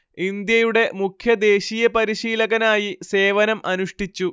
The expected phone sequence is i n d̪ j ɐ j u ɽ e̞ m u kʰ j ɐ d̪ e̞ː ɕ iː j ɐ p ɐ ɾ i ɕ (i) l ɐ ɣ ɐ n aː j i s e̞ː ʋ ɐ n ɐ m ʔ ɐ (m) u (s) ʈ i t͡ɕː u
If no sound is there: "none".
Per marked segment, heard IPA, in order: iː, n, ʂ

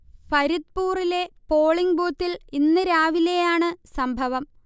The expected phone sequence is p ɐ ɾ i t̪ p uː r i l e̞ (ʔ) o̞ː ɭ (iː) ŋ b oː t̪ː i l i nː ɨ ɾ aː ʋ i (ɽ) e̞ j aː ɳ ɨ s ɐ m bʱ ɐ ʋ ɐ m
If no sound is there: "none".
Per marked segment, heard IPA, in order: p, i, l

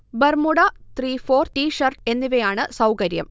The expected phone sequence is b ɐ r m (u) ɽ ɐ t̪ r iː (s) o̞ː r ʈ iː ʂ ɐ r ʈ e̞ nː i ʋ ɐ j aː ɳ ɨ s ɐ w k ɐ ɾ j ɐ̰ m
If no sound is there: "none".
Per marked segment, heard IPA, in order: u, f

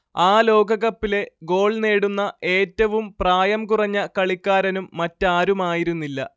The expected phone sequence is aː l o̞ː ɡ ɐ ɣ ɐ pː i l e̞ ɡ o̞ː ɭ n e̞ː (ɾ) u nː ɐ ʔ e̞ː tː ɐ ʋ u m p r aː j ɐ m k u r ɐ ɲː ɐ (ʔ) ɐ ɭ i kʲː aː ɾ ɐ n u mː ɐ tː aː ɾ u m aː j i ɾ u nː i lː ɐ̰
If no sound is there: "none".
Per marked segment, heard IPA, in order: ɽ, k

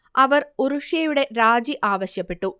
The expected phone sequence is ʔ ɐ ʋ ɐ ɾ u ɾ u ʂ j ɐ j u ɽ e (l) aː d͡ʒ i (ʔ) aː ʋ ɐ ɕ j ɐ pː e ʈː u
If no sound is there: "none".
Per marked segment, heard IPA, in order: ɾ, ʔ

